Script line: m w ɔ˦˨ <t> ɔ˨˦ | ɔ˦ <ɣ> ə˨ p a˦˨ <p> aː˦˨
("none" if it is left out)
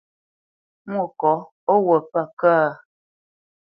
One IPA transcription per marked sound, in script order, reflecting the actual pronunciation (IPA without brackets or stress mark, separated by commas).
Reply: k, w, k